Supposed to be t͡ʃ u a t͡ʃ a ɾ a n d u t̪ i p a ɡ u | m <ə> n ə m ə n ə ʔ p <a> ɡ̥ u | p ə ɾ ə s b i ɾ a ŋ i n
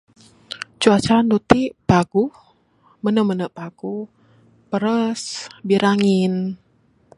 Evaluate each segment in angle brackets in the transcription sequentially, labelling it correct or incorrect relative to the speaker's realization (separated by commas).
correct, correct